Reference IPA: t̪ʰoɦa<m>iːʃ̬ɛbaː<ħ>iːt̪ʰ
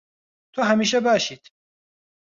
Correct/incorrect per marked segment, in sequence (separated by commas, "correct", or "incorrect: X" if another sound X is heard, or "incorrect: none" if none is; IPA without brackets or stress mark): correct, incorrect: ʃ